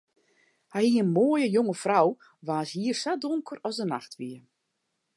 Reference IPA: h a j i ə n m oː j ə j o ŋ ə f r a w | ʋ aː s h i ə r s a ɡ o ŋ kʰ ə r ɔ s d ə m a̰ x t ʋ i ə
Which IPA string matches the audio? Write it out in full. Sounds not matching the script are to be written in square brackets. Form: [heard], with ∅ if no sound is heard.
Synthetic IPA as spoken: h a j i ə n m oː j ə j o ŋ ə f r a w | ʋ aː s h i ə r s a [d] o ŋ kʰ ə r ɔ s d ə [n] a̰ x t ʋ i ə